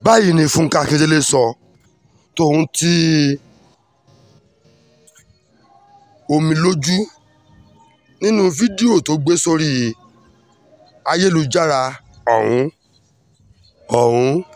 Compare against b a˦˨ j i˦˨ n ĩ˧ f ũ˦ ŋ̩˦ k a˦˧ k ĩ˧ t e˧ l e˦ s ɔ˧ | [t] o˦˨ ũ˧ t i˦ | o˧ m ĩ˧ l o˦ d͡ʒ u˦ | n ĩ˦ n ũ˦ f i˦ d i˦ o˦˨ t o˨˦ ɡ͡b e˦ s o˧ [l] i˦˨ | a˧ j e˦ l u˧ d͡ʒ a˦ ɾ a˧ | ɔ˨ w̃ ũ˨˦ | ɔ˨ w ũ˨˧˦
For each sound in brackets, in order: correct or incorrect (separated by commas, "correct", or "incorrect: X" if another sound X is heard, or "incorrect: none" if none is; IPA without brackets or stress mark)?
correct, incorrect: ɾ